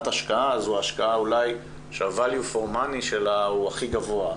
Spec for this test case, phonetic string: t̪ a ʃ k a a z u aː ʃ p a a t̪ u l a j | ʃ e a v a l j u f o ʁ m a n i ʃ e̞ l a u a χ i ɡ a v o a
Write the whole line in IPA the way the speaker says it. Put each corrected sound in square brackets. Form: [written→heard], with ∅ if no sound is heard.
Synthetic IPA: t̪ a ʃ k a a z u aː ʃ [p→k] a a [t̪→∅] u l a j | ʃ e a v a l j u f o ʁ m a n i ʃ e̞ l a u a χ i ɡ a v o a